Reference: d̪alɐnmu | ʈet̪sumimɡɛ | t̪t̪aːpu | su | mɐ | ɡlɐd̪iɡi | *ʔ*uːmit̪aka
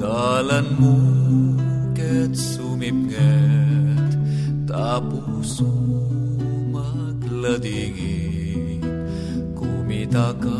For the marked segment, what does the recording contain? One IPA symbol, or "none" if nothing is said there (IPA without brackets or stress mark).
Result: k